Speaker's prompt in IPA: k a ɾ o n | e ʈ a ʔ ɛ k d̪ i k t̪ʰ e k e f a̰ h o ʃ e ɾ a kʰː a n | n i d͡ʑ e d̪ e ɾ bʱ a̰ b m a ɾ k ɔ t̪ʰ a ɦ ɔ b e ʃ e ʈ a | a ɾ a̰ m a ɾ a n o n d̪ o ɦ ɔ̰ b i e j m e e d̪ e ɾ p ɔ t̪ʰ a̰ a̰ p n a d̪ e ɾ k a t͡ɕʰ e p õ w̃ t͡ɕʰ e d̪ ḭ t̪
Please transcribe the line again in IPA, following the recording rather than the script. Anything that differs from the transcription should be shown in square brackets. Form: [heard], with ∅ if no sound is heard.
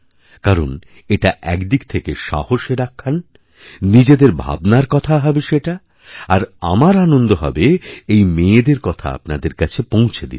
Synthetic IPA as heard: k a ɾ o n | e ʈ a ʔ ɛ k d̪ i k t̪ʰ e k e [ʃ] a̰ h o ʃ e ɾ a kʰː a n | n i d͡ʑ e d̪ e ɾ bʱ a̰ b [n] a ɾ k ɔ t̪ʰ a ɦ ɔ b e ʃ e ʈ a | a ɾ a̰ m a ɾ a n o n d̪ o ɦ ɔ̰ b [e] e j m e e d̪ e ɾ [k] ɔ t̪ʰ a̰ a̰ p n a d̪ e ɾ k a t͡ɕʰ e p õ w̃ t͡ɕʰ e d̪ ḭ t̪

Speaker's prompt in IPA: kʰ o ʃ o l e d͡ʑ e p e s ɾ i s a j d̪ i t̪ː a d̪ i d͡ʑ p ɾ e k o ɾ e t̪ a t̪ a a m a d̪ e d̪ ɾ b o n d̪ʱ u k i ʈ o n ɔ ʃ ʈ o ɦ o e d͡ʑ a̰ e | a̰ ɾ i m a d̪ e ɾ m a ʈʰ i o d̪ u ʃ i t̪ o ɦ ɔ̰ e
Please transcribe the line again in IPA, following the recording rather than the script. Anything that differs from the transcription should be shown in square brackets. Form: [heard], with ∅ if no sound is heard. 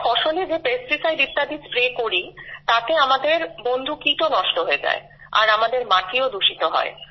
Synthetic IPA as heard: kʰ [ɔ] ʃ o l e d͡ʑ e p e s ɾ i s a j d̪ i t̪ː a d̪ i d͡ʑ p ɾ e k o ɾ [i] t̪ a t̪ [e] a m a d̪ e [∅] ɾ b o n d̪ʱ u k i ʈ o n ɔ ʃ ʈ o ɦ o e d͡ʑ a̰ e | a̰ ɾ [a] m a d̪ e ɾ m a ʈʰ i o d̪ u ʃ i t̪ o ɦ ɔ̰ e

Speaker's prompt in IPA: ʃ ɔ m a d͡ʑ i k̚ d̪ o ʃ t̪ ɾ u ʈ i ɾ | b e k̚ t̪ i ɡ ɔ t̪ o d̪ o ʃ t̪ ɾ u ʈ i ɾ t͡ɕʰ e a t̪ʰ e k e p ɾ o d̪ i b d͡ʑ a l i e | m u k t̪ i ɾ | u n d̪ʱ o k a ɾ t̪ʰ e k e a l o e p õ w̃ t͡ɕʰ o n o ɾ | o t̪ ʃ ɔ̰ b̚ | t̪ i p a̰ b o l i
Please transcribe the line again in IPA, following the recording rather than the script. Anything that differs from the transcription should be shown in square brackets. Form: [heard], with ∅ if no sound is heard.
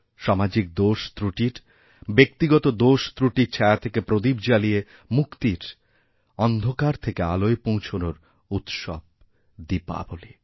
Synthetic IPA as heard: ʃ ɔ m a d͡ʑ i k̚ d̪ o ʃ t̪ ɾ u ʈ i ɾ | b e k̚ t̪ i ɡ ɔ t̪ o d̪ o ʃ t̪ ɾ u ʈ i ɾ t͡ɕʰ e a t̪ʰ e k e p ɾ o d̪ i b d͡ʑ a l i e | m u k t̪ i ɾ | [ɔ] n d̪ʱ o k a ɾ t̪ʰ e k e a l o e p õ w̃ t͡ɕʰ o n o ɾ | [u] t̪ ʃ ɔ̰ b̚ | [d̪] i p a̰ b o l i

